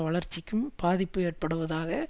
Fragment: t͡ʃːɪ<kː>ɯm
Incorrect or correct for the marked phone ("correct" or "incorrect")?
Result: correct